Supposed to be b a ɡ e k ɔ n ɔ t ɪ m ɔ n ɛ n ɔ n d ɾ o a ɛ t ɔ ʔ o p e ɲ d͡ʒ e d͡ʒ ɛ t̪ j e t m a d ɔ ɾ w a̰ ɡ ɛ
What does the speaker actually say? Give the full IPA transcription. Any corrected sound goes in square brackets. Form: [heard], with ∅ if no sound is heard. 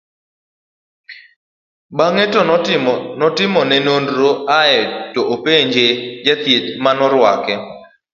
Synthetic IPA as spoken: b a [ŋ] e [t] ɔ n ɔ t ɪ m ɔ n ɛ n [o] n d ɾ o a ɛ t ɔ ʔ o p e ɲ d͡ʒ e d͡ʒ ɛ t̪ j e t m a [n] ɔ ɾ w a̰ [k] ɛ